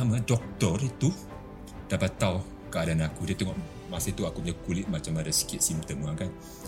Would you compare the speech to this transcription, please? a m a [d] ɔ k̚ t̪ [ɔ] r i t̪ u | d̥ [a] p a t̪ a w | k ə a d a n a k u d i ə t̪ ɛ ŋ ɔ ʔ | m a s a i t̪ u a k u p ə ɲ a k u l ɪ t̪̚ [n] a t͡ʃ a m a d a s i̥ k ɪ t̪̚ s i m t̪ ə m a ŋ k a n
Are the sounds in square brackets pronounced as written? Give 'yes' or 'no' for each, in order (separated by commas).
yes, yes, yes, no